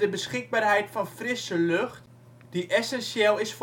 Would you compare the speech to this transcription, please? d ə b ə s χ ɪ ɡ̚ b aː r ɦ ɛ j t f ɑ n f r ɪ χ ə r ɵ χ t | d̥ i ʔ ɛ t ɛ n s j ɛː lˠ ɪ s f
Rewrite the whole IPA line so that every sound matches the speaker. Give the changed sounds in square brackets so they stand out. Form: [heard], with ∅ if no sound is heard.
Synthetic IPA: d ə b ə s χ ɪ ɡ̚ b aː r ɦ ɛ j t f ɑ n f r ɪ [s] ə [l] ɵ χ t | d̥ i ʔ ɛ [s] ɛ n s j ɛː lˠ ɪ s f